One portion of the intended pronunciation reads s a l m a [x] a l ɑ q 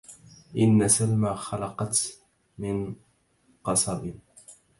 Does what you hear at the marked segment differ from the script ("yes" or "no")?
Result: no